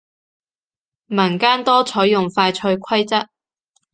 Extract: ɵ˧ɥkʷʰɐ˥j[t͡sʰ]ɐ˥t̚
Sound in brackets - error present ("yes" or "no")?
yes